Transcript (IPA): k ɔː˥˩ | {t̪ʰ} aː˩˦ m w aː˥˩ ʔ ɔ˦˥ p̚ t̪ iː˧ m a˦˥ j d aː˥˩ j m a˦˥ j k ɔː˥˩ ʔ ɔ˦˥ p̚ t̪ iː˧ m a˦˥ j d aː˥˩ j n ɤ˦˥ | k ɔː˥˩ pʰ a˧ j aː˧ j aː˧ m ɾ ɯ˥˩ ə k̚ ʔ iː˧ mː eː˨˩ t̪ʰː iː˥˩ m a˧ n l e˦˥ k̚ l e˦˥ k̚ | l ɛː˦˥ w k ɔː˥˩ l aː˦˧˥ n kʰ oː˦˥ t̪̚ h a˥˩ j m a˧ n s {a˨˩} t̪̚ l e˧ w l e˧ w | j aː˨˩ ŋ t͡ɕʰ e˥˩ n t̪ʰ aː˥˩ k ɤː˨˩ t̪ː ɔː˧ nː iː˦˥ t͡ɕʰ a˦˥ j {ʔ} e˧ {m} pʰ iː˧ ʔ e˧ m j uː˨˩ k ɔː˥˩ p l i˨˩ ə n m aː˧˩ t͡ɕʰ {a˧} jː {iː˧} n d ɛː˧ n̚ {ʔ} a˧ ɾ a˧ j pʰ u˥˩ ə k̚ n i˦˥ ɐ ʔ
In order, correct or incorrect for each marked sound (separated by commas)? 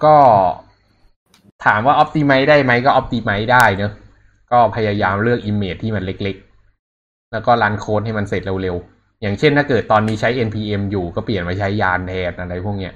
correct, incorrect, correct, incorrect, incorrect, incorrect, correct